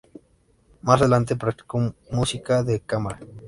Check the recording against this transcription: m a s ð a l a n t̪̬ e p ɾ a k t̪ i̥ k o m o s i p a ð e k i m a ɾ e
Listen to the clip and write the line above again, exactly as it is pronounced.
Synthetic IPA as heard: m a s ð e l a n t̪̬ e p ɾ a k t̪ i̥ k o m u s i k a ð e k a m a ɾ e

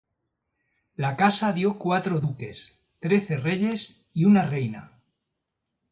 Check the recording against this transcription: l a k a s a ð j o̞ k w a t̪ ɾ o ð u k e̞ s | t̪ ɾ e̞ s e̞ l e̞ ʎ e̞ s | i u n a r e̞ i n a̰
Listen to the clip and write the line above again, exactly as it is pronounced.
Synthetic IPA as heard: l a k a s a ð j o̞ k w a t̪ ɾ o ð u k e̞ s | t̪ ɾ e̞ θ e̞ r e̞ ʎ e̞ s | i u n a r e̞ j n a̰

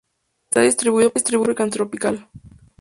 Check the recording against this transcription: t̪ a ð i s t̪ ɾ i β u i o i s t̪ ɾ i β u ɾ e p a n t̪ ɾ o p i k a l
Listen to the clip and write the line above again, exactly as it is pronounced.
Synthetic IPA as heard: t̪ a ð i s t̪ ɾ i β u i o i s t̪ ɾ i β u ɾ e k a n t̪ ɾ o p i k a l

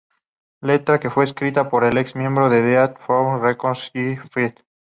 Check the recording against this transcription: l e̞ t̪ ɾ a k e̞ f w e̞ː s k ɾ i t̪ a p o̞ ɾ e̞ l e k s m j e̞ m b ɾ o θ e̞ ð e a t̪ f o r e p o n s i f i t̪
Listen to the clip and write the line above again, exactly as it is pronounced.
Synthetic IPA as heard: l e̞ t̪ ɾ a k e̞ f w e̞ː s k ɾ i t̪ a p o̞ ɾ e̞ l e k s m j e̞ m b ɾ o ð e̞ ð e a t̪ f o r e k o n s i f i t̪

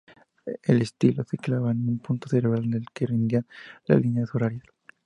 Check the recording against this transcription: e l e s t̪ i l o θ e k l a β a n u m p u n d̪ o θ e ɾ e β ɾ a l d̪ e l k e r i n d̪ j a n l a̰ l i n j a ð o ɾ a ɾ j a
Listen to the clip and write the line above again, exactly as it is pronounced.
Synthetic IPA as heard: e l e s t̪ i l o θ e k l a β a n u m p u n t̪ o θ e ɾ e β ɾ a l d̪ e l k e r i n d̪ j a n l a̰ l i n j a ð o ɾ a ɾ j a

